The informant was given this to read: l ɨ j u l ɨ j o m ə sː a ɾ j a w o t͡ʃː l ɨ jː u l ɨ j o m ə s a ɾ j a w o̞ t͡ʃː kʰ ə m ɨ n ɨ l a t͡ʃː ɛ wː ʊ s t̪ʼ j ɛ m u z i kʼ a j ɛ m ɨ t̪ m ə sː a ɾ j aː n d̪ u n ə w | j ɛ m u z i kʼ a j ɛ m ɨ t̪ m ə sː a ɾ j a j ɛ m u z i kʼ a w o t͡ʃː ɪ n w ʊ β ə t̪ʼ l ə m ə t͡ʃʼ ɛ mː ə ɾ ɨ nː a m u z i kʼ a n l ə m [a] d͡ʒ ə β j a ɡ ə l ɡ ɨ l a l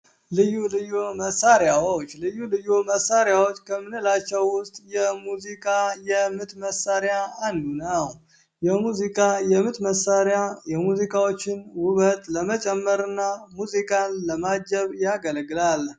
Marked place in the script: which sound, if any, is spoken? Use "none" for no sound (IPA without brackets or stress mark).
a